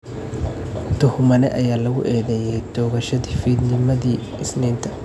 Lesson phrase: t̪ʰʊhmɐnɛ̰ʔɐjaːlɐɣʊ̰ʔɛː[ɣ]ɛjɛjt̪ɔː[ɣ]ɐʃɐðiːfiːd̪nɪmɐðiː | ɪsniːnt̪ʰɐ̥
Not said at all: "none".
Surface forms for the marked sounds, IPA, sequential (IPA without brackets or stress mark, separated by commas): ð, ɣ